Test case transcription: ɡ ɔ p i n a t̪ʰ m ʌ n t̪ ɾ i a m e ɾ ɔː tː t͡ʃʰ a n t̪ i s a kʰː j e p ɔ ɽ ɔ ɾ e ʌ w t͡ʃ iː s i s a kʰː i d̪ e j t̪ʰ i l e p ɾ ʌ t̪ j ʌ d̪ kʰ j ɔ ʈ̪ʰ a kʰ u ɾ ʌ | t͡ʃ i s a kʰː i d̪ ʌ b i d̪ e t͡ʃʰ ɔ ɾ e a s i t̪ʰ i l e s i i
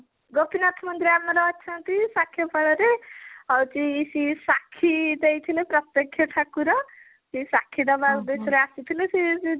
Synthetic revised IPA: ɡ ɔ p i n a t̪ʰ m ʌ n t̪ ɾ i a m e ɾ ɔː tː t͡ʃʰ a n t̪ i s a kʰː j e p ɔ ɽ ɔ ɾ e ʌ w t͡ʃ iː s i s a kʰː i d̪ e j t̪ʰ i l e p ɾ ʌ t̪ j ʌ kʰ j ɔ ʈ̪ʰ a k u ɾ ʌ | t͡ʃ i s a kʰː i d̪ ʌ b a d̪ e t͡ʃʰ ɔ ɾ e a s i t̪ʰ i l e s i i